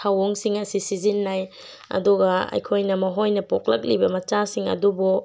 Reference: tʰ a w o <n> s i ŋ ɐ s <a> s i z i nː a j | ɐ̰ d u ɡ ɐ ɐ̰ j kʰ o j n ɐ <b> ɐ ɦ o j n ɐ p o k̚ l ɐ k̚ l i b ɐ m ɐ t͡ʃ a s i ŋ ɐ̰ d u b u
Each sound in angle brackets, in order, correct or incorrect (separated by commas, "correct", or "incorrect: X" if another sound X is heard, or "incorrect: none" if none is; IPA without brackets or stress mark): incorrect: ŋ, incorrect: i, incorrect: m